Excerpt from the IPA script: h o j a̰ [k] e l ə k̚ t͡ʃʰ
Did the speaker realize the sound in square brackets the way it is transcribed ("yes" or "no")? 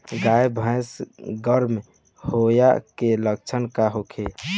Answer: yes